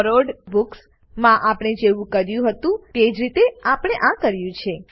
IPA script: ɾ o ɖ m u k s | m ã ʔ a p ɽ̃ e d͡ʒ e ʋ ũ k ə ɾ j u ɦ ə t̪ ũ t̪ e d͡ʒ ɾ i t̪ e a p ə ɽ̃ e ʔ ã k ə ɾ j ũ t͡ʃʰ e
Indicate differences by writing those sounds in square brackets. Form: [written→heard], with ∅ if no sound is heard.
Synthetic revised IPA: ɾ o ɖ [m→b] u k s | m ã ʔ a p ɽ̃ e d͡ʒ e ʋ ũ k ə ɾ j [u→ũ] ɦ ə t̪ ũ t̪ e d͡ʒ ɾ i t̪ e a p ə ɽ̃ e ʔ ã k ə ɾ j ũ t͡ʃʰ e